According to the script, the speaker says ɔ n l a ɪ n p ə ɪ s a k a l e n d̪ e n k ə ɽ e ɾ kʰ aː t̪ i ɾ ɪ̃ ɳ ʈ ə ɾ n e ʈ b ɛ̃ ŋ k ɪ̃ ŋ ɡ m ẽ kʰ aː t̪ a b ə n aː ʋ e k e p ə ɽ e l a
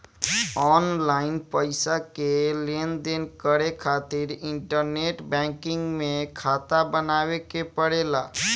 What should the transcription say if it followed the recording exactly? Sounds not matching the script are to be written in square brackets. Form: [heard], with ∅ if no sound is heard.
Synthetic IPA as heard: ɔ n l a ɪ n p ə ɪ s a k [e] l e n d̪ e n k ə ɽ e [∅] kʰ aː t̪ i ɾ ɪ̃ ɳ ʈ ə ɾ n e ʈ b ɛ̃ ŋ k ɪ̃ ŋ ɡ m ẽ kʰ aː t̪ a b ə n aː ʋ e k e p ə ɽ e l a

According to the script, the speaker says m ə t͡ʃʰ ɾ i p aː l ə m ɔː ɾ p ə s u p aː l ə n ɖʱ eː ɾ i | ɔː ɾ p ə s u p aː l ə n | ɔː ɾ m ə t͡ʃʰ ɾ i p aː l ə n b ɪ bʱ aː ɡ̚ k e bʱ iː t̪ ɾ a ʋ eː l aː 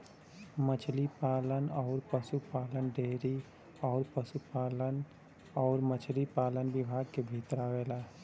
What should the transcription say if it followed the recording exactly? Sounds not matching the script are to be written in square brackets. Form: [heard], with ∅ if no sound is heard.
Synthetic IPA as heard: m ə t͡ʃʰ [l] i p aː l ə [n] ɔː ɾ p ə s u p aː l ə n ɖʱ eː ɾ i | ɔː ɾ p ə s u p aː l ə n | ɔː ɾ m ə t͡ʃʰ [l] i p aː l ə n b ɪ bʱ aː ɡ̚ k e bʱ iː t̪ ɾ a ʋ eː l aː

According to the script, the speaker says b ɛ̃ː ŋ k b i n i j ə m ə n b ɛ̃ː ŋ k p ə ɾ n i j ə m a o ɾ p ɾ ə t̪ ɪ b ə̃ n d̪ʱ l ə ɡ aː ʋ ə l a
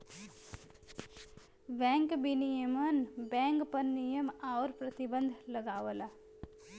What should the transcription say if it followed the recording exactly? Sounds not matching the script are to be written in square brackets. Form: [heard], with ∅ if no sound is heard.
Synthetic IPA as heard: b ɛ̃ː ŋ k b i n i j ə m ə n b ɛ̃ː ŋ k p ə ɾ n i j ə m a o ɾ p ɾ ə t̪ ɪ b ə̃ n d̪ʱ l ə ɡ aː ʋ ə l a

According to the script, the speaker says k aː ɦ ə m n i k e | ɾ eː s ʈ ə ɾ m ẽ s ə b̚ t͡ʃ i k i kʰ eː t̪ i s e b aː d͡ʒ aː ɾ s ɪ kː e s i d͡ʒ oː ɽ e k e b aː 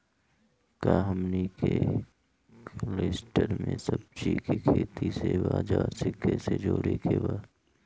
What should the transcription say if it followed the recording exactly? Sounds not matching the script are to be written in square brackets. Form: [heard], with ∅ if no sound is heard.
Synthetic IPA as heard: k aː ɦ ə m n i k e | [l] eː s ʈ ə ɾ m ẽ s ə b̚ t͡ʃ i k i kʰ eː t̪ i s e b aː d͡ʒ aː ɾ s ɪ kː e s [e] d͡ʒ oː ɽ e k e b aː

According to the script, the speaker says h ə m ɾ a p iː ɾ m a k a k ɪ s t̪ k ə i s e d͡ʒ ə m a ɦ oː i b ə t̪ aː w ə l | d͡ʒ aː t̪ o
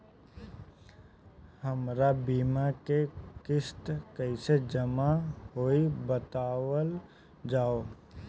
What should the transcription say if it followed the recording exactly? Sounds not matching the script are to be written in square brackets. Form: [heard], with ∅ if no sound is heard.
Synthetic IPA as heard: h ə m ɾ a [b] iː [∅] m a k [e] k ɪ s t̪ k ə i s e d͡ʒ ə m a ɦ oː i b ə t̪ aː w ə l | d͡ʒ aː [∅] o

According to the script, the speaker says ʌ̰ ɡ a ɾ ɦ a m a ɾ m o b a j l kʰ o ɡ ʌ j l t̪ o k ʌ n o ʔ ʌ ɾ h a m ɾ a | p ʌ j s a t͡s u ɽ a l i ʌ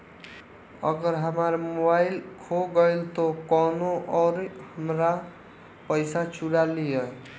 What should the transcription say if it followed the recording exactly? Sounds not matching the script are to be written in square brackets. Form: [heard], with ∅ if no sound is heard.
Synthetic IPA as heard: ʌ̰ ɡ [ʌ] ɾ ɦ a m a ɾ m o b a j l kʰ o ɡ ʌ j l t̪ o k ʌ n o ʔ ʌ ɾ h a m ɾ a | p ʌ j s a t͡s u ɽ a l i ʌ

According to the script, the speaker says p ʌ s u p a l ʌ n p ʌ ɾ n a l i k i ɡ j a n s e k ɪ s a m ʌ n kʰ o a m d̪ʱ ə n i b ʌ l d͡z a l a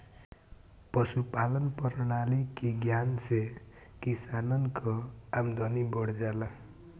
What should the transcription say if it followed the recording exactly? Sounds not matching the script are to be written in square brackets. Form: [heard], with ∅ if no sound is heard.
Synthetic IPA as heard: p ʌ s u p a l ʌ n p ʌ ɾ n a l i k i ɡ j a n s e k [i] s a [n] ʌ n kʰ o a m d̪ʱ [ʌ] n i b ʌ [ɽ] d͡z a l a

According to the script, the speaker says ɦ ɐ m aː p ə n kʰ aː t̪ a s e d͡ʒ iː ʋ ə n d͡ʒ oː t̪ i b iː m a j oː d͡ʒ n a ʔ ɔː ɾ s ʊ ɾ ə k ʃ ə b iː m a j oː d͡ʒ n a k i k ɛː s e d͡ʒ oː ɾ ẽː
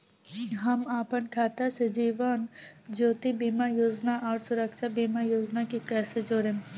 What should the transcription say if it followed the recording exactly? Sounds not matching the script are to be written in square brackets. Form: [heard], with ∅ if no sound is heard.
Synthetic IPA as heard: ɦ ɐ m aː p ə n kʰ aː t̪ a s e d͡ʒ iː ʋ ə n d͡ʒ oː t̪ i b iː m a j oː d͡ʒ n a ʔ ɔː ɾ s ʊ ɾ ə k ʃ [a] b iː m a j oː d͡ʒ n a k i k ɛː s e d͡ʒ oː ɾ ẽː

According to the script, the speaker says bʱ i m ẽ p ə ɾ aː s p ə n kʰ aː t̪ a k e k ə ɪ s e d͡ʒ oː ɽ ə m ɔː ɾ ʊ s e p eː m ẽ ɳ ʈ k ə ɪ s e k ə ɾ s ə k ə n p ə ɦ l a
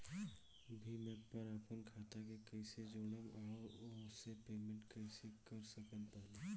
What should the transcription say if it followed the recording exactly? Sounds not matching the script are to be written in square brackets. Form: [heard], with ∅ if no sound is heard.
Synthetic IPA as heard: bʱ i m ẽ p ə ɾ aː [∅] p ə n kʰ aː t̪ a k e k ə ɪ s e d͡ʒ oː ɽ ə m ɔː ɾ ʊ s e p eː m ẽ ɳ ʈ k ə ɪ s e k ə ɾ s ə k ə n p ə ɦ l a

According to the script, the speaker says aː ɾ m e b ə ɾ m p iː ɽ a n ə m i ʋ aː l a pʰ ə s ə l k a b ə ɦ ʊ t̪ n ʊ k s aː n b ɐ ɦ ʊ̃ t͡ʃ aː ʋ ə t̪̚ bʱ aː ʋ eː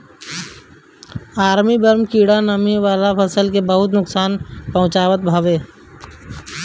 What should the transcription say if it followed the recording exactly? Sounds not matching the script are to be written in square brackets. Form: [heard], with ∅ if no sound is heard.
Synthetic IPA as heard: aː ɾ m [i] b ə ɾ m [k] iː ɽ a n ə m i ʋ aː l a pʰ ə s ə l k [e] b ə ɦ ʊ t̪ n ʊ k s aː n [p] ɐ ɦ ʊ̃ t͡ʃ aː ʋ ə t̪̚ bʱ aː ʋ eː

